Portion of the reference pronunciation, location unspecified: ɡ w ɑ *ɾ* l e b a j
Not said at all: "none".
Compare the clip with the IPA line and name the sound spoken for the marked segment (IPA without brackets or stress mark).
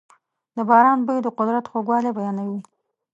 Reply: none